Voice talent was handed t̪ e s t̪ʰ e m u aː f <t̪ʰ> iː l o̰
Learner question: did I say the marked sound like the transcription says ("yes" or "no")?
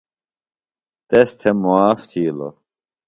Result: yes